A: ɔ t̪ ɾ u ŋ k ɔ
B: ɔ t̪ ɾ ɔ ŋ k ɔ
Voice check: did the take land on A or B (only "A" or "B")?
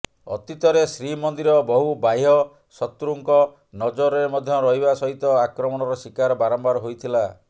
A